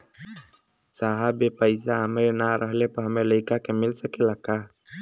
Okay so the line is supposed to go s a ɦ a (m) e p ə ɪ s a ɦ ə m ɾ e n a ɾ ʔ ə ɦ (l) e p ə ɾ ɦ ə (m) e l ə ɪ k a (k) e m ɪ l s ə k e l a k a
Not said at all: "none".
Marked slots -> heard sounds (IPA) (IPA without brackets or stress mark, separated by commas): b, l, m, k